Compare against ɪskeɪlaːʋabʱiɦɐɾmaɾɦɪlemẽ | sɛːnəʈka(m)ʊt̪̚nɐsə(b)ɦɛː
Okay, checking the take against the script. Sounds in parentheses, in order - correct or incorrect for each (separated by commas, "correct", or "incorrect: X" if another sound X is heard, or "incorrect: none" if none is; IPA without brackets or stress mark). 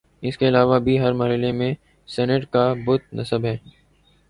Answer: incorrect: b, correct